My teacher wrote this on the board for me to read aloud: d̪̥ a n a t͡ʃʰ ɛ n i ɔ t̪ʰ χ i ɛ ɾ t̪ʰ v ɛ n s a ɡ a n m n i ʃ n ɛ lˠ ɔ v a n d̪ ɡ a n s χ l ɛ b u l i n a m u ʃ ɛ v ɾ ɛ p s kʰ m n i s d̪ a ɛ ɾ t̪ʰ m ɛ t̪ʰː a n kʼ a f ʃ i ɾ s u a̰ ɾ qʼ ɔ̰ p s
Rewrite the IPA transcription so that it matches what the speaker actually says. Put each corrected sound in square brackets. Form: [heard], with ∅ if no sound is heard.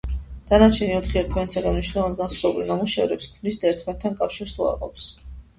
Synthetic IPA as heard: d̪̥ a n a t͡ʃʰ ɛ n i ɔ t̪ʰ χ i ɛ ɾ t̪ʰ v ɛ n s a ɡ a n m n i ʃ n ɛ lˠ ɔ v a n d̪ ɡ a n s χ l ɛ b u l i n a m u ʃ ɛ v ɾ ɛ p s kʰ m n i s d̪ a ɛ ɾ t̪ʰ m ɛ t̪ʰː a n kʼ a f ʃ i ɾ s u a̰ ɾ qʼ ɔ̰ p s